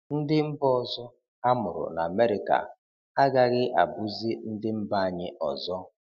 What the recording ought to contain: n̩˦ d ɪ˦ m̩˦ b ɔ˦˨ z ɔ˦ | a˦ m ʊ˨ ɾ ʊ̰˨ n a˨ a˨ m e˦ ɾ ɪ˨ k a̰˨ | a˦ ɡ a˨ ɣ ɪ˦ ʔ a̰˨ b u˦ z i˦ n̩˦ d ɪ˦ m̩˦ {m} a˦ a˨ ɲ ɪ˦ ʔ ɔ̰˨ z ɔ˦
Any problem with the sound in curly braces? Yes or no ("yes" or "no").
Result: yes